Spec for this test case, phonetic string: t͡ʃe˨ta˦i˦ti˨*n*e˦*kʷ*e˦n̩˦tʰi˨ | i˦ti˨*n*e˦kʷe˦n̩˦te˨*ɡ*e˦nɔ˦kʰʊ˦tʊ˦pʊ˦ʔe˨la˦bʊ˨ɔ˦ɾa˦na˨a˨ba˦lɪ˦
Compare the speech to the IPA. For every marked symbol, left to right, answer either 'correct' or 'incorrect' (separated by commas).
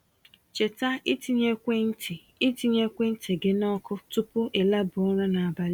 incorrect, correct, incorrect, correct